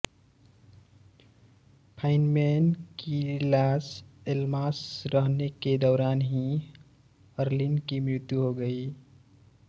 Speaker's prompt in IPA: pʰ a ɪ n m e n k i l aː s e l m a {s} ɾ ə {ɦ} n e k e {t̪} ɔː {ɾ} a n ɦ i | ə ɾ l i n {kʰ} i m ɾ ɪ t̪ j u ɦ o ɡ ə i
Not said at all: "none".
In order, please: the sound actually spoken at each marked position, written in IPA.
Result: s, ɦ, d̪, ɾ, k

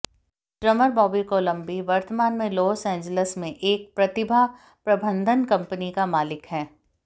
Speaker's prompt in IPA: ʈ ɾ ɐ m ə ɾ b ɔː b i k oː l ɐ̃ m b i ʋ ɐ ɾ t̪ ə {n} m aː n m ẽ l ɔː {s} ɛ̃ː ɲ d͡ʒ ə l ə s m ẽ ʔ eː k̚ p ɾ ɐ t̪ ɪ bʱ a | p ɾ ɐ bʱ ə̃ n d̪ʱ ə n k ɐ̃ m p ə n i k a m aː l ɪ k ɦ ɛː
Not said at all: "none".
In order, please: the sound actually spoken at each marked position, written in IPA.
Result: none, s

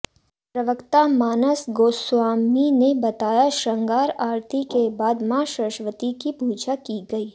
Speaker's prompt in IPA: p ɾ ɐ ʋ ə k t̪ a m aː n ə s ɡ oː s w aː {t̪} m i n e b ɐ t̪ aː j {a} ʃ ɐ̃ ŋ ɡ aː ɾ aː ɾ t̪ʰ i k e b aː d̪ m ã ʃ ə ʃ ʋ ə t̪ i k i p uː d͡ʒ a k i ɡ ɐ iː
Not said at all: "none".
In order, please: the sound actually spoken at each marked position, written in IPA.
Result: none, a

